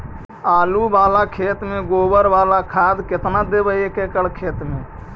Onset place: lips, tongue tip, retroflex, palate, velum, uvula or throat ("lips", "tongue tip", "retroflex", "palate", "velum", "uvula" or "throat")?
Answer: tongue tip